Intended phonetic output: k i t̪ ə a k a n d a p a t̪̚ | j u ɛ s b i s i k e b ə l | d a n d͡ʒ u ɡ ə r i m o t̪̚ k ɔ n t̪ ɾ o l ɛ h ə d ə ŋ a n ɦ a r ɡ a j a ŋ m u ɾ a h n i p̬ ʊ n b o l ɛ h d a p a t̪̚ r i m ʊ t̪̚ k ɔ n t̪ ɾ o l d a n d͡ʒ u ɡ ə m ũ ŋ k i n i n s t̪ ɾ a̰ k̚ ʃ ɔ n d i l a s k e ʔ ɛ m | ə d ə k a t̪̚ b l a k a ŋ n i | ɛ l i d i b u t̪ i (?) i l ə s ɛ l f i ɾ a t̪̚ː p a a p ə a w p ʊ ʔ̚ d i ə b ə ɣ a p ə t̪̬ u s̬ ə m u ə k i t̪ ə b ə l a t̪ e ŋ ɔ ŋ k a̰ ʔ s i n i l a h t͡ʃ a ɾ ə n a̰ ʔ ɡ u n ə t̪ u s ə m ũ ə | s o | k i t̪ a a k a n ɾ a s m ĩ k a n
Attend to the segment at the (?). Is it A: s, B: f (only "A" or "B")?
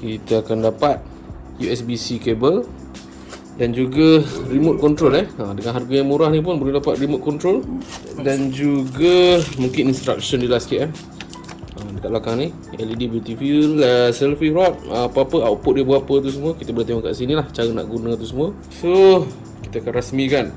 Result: B